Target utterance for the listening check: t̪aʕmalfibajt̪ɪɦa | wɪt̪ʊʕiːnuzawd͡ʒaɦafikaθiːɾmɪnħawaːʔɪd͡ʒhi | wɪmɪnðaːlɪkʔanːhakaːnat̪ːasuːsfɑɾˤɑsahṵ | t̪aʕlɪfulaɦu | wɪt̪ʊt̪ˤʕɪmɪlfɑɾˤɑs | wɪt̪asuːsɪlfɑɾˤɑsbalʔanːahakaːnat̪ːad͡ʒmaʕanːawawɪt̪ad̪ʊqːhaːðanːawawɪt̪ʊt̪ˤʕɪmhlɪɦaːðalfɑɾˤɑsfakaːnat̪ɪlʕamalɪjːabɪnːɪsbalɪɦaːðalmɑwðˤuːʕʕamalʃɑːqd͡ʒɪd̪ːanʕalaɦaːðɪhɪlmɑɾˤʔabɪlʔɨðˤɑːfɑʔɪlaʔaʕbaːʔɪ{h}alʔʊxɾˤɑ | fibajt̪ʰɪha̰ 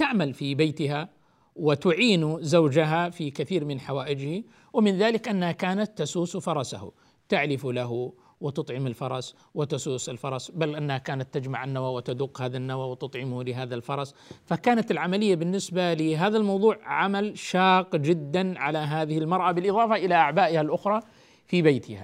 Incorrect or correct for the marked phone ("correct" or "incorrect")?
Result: correct